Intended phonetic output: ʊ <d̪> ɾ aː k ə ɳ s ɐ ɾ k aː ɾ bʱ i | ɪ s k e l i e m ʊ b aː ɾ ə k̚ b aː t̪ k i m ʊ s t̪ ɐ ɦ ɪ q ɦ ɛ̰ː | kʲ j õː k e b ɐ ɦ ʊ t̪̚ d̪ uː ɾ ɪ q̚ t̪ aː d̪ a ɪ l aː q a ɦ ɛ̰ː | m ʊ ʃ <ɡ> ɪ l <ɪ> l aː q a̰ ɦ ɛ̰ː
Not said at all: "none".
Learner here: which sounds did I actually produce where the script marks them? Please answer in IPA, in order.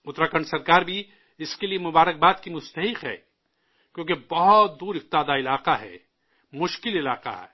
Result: t̪, k, ɪ

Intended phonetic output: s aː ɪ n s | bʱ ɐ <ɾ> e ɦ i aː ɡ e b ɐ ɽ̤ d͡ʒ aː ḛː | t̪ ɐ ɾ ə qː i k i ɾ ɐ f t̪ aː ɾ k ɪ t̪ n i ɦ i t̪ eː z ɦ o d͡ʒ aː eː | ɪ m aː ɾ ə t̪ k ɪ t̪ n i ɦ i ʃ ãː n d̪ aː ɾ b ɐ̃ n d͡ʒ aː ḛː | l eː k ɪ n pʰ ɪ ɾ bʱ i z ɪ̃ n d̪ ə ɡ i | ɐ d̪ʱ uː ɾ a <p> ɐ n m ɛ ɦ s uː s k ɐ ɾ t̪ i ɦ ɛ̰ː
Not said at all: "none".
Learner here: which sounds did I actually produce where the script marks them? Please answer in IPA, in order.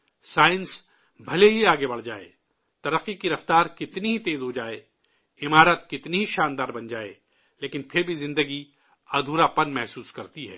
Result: l, p

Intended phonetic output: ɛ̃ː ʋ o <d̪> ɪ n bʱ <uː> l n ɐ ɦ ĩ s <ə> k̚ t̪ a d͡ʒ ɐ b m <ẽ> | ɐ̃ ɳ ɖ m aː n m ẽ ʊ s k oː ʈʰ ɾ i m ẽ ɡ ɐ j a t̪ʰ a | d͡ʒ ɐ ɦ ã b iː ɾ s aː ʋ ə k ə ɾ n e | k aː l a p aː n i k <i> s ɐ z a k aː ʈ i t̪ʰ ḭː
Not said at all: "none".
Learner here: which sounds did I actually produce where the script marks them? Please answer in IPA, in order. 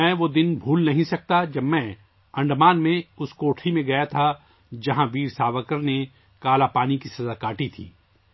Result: d̪, uː, ɐ, ɛ̃, i

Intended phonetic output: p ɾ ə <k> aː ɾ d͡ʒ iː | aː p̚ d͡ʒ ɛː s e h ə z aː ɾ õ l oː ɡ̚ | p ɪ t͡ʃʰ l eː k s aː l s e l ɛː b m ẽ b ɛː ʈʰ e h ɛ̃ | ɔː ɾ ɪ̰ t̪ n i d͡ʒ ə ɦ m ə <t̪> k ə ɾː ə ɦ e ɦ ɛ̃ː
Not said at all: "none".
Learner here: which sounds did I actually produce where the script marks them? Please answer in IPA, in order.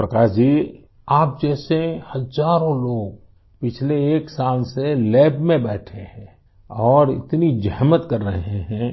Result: k, t̪

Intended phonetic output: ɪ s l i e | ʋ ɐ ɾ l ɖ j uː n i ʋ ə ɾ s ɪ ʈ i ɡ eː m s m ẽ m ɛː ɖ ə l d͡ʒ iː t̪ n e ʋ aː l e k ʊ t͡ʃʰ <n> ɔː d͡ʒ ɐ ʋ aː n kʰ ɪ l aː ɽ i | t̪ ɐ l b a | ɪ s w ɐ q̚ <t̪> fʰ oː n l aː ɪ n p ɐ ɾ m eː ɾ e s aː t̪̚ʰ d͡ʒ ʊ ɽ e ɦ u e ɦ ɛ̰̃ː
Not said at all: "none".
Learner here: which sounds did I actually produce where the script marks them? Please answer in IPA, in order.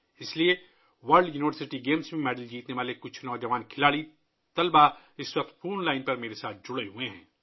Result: n, t̪

